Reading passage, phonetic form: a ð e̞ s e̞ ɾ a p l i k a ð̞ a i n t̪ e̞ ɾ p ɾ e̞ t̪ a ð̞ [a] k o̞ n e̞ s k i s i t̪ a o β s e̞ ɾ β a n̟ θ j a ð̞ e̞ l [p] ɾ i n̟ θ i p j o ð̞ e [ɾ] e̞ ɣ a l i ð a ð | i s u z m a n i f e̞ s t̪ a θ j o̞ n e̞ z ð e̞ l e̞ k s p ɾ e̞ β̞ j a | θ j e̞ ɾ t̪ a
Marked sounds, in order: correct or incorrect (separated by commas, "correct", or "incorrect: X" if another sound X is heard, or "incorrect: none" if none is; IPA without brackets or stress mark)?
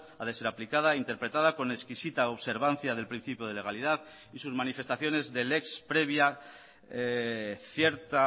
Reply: correct, correct, incorrect: l